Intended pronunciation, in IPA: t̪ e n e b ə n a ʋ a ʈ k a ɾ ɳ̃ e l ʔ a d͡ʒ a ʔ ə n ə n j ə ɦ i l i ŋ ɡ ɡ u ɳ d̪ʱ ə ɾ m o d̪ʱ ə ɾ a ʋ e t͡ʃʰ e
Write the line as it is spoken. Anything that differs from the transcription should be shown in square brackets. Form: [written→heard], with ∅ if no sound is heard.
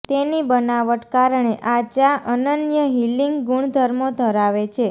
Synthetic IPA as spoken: t̪ e n [e→i] b ə n a ʋ [a→ə] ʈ k a ɾ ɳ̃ e [l→∅] ʔ a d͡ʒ a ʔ ə n ə n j ə ɦ i l i ŋ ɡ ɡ u ɳ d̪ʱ ə ɾ m o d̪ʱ ə ɾ a ʋ e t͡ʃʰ e